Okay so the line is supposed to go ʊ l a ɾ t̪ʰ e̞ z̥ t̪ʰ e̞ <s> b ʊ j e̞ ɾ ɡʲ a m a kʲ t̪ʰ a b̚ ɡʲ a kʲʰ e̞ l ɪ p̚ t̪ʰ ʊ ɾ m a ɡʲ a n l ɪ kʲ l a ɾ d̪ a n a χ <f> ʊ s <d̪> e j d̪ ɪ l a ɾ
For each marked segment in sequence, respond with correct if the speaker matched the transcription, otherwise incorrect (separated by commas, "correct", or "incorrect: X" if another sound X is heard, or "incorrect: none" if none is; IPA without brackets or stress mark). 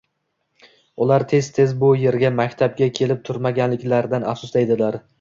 incorrect: z, incorrect: s, correct